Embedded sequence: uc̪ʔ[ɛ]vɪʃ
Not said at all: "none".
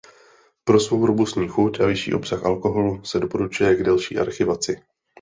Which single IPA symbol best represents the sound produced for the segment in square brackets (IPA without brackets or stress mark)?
a